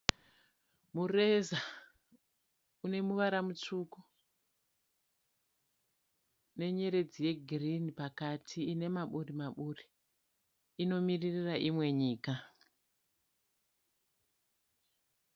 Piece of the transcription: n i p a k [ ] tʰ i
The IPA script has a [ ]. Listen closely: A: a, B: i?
A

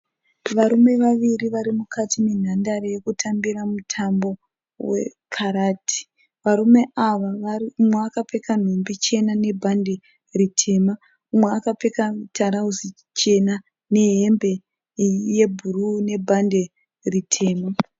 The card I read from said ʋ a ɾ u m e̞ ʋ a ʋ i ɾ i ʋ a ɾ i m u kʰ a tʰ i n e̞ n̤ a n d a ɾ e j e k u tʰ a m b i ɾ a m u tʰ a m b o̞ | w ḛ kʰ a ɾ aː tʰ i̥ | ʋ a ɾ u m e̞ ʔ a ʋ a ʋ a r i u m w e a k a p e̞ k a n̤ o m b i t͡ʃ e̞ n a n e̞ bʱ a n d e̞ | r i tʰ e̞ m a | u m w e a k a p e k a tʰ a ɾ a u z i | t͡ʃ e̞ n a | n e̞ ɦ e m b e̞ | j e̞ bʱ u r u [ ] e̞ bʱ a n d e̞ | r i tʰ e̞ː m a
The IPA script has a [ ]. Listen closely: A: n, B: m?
A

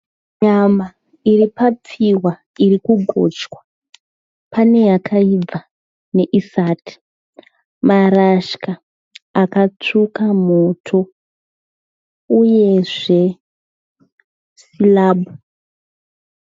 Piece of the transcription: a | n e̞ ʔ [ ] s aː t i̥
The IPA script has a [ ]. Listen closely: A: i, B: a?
A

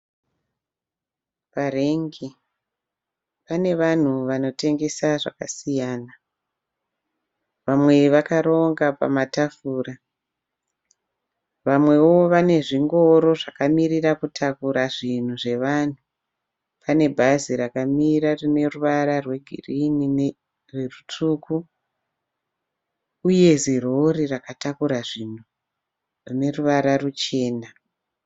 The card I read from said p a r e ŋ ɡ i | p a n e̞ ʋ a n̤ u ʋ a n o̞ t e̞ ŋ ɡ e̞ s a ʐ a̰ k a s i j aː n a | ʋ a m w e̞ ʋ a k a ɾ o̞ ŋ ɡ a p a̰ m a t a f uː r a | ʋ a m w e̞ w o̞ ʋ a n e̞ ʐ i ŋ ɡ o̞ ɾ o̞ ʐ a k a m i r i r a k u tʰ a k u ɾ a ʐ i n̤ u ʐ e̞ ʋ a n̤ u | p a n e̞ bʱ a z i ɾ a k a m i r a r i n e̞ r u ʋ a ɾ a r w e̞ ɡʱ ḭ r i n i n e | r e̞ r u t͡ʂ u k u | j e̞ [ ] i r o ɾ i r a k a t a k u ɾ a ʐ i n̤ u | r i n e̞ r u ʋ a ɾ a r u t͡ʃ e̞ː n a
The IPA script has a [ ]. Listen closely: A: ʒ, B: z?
B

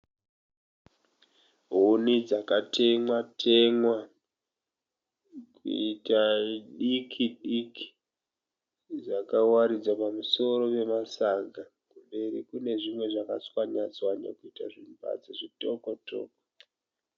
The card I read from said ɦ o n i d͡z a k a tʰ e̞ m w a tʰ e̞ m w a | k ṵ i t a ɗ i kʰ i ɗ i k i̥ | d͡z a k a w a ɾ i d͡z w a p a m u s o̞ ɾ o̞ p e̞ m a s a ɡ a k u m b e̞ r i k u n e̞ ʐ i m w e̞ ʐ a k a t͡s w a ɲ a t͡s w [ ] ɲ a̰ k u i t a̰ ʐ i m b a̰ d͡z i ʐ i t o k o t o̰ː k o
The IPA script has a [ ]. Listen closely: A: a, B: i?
A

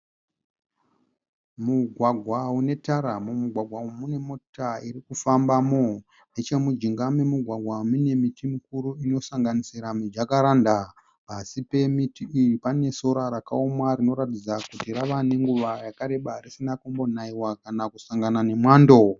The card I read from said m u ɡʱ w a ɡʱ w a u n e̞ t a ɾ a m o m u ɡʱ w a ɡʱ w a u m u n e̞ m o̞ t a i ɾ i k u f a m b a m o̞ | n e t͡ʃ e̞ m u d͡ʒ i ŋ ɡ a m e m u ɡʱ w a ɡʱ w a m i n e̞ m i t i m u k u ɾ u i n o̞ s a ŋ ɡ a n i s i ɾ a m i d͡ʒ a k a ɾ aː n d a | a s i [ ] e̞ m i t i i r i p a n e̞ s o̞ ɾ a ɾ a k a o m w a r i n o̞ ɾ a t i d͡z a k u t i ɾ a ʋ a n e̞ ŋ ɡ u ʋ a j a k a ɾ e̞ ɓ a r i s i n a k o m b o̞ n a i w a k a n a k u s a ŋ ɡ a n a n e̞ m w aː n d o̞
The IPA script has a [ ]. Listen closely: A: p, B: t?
A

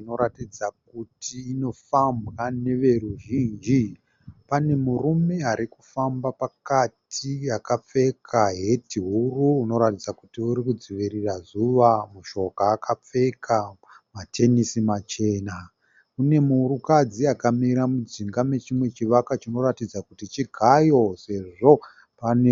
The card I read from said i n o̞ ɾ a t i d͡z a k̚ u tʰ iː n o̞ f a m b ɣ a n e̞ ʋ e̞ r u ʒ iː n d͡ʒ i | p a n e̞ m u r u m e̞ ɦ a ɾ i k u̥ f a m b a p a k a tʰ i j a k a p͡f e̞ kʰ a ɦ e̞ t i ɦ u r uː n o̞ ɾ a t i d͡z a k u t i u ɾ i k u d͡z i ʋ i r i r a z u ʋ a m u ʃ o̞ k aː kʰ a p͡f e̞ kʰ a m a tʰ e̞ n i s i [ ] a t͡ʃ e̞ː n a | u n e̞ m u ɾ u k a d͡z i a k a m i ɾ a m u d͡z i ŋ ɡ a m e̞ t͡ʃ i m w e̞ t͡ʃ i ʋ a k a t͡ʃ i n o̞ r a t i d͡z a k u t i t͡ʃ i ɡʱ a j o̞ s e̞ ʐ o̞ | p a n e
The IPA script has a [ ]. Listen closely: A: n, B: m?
B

